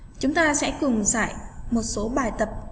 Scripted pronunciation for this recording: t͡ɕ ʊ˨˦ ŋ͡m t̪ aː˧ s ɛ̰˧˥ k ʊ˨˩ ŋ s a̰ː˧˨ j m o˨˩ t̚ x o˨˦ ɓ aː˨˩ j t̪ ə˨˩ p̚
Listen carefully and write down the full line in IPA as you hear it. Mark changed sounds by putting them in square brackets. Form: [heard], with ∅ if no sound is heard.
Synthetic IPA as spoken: t͡ɕ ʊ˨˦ ŋ͡m t̪ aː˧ s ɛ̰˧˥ k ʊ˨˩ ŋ s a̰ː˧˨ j m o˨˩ t̚ [s] o˨˦ ɓ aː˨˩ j t̪ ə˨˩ p̚

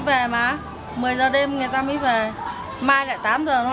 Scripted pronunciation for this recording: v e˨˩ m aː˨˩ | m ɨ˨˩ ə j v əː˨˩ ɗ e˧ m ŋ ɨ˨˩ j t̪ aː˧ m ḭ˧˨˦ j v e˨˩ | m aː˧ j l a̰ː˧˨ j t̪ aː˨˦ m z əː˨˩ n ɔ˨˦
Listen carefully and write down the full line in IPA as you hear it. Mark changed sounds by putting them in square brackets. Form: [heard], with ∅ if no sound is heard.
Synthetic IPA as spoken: v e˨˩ m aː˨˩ | m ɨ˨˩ ə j [z] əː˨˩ ɗ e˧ m ŋ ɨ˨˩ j t̪ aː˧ m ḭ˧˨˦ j v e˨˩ | m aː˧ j l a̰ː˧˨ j t̪ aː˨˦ m z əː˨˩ n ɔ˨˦

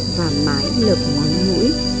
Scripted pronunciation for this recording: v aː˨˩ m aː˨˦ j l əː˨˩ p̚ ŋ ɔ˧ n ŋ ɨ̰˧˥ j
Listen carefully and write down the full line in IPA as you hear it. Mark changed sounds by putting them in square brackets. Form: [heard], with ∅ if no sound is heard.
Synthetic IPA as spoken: v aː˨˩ m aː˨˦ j l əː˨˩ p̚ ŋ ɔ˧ n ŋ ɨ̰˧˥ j

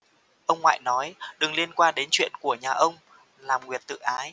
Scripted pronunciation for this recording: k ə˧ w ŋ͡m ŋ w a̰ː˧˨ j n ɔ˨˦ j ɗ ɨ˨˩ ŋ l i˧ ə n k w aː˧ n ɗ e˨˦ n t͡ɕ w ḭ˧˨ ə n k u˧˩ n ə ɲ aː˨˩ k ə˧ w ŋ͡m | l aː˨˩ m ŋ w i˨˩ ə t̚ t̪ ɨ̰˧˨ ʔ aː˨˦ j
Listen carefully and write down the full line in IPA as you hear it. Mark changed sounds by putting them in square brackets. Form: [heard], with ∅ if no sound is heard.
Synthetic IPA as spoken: [ʔ] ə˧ w ŋ͡m ŋ w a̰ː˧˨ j n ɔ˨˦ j ɗ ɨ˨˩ ŋ l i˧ ə n k w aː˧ n ɗ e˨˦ n t͡ɕ w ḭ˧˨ ə n k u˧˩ [∅] ə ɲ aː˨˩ [ʔ] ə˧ w ŋ͡m | l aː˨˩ m ŋ w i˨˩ ə t̚ t̪ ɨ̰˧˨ ʔ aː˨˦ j

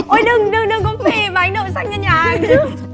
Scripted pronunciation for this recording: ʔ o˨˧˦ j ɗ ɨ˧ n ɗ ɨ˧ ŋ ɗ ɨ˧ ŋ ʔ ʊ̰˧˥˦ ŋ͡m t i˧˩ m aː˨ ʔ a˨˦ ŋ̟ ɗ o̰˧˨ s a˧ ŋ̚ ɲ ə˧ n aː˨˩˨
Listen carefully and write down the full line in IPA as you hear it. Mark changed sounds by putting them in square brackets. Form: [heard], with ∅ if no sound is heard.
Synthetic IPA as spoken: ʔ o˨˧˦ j ɗ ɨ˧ [ŋ] ɗ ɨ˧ ŋ ɗ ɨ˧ ŋ [k] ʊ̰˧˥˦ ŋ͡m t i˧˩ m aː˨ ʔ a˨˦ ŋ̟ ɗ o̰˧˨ s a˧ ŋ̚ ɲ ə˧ [ɲ] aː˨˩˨

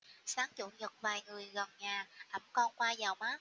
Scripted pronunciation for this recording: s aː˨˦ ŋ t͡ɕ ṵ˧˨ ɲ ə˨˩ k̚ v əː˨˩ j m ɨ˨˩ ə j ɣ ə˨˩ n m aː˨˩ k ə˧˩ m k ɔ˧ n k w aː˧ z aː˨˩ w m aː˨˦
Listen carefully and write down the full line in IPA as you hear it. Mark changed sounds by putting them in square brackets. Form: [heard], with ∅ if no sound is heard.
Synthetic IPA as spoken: s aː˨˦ ŋ t͡ɕ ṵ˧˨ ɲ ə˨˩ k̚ v [aː˨˩] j [ŋ] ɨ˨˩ ə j ɣ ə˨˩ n [ɲ] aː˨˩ [ʔ] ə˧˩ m k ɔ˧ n k w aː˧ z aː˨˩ w m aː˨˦

